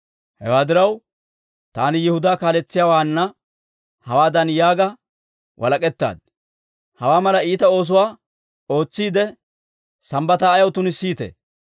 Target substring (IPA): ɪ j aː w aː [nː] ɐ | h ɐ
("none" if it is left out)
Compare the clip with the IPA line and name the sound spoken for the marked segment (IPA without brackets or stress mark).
nː